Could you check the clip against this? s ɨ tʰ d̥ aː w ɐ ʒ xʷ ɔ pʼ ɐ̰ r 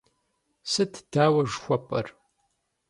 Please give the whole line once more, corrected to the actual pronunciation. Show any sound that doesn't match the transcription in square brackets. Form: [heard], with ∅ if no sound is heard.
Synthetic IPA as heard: s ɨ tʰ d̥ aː w ɐ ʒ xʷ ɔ pʼ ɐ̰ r